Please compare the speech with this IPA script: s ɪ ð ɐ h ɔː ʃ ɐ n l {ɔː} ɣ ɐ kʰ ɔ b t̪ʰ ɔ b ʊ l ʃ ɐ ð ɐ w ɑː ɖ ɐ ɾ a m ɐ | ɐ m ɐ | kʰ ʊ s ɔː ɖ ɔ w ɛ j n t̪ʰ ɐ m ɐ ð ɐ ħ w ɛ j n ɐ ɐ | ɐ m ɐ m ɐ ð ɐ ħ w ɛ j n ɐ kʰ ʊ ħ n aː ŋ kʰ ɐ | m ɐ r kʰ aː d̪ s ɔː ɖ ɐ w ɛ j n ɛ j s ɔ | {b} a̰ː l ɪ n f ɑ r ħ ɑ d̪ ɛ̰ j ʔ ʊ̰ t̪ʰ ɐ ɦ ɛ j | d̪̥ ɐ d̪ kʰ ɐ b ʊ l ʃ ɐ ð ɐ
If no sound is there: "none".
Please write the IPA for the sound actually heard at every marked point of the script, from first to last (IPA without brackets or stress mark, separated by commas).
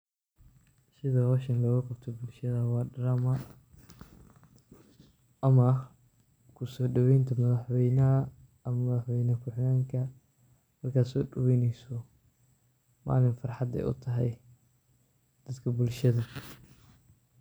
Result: ɔː, m